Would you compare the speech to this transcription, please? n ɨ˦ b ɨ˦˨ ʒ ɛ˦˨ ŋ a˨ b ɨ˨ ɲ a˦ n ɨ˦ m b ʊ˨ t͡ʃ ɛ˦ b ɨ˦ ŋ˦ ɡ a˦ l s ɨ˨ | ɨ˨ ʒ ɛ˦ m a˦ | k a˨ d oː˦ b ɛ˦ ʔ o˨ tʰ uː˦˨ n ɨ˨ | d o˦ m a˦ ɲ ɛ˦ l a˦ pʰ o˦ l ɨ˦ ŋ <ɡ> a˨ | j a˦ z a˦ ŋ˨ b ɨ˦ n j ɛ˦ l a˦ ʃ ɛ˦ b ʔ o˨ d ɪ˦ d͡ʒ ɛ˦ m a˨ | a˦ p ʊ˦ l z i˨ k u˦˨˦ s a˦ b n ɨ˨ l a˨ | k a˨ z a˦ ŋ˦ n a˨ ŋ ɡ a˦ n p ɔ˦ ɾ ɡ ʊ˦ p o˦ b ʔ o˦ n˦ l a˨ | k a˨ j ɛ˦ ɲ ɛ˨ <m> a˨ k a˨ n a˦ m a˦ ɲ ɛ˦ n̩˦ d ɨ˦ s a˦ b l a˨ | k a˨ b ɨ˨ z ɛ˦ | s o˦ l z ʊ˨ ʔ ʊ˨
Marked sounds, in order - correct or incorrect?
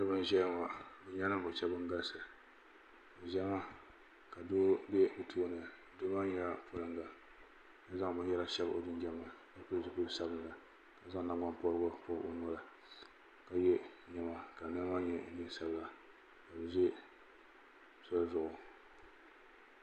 correct, correct

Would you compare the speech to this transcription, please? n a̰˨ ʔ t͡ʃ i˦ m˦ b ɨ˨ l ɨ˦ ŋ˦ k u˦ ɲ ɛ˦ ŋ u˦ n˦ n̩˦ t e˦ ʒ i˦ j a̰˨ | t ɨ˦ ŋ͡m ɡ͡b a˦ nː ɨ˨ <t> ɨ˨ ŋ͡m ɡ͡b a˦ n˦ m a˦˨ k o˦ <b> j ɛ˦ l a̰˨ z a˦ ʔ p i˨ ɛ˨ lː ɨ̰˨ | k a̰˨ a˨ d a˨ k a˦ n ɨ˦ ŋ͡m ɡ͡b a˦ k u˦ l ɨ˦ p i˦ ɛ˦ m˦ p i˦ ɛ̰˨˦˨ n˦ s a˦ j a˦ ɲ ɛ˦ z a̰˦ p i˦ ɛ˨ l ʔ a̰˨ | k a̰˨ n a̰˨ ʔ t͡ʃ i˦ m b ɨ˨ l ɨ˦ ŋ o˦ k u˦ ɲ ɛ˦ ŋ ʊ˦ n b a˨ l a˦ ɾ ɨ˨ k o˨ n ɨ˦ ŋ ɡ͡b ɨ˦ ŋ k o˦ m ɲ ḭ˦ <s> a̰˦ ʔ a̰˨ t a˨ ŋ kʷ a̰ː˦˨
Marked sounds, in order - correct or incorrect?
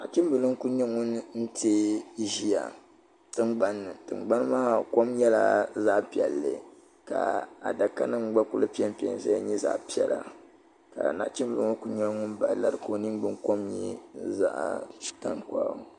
correct, incorrect: m, incorrect: z

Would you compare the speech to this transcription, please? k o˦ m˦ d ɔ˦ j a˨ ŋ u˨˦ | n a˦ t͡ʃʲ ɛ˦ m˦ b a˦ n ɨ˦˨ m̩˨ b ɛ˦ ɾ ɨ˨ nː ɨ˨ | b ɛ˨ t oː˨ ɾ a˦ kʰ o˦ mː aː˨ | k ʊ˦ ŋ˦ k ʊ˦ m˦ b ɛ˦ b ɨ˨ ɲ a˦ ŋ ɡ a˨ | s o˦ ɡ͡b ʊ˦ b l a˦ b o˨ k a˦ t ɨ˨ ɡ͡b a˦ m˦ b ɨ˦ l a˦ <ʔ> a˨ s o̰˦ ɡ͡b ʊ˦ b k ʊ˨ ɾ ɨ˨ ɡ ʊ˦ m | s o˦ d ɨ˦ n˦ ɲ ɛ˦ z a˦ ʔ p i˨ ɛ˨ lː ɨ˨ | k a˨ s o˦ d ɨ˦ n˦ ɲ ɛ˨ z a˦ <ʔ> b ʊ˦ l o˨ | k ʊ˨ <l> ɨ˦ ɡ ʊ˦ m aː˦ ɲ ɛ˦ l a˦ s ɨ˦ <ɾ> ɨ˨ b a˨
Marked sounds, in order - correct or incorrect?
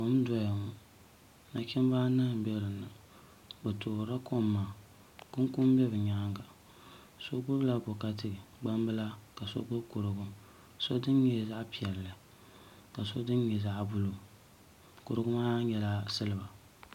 incorrect: k, correct, incorrect: ɾ, incorrect: l

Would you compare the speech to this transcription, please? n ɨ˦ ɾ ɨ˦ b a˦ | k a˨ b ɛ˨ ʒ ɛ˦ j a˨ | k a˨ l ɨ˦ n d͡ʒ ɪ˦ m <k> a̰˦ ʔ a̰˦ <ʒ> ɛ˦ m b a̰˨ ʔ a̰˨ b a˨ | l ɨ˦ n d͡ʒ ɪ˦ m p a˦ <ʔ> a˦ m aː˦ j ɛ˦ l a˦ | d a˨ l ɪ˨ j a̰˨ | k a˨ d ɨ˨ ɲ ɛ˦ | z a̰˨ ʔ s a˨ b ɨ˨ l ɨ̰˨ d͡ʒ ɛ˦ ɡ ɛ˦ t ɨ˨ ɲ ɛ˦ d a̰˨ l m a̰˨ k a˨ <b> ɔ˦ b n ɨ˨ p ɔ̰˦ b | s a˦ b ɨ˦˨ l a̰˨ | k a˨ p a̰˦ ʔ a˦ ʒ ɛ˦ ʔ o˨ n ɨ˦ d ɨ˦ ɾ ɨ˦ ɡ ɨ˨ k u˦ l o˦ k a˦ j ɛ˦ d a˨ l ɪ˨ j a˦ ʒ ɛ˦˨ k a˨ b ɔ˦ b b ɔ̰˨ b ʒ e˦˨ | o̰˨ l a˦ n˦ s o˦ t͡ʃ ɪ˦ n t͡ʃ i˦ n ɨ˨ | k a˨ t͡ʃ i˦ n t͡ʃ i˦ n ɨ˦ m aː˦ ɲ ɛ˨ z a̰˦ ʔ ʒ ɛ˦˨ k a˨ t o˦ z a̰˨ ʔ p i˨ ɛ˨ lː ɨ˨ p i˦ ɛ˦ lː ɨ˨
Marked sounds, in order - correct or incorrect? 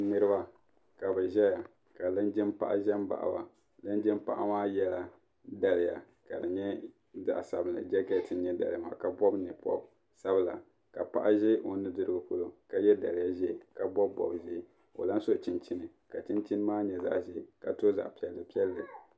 incorrect: p, correct, correct, correct

